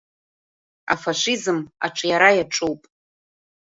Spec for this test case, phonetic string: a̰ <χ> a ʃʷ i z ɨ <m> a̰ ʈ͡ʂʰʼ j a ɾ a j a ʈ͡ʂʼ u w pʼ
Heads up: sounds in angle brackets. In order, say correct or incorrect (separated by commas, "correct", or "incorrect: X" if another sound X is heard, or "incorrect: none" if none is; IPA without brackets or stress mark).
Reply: incorrect: f, correct